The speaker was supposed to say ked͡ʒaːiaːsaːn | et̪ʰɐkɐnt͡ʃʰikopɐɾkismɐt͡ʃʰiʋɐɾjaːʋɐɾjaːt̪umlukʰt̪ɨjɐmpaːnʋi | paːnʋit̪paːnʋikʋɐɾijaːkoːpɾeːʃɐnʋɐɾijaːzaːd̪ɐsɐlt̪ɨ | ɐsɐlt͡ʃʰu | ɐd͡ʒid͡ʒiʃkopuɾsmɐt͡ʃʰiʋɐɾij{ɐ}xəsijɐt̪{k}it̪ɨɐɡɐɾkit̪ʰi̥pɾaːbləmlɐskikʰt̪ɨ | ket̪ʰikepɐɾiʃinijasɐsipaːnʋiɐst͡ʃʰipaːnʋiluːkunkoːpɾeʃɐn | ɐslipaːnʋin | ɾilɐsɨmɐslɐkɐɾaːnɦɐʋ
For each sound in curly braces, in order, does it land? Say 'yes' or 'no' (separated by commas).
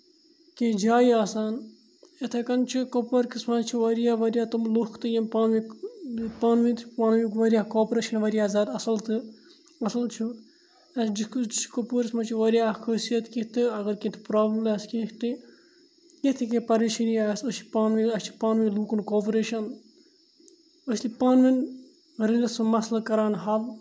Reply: no, yes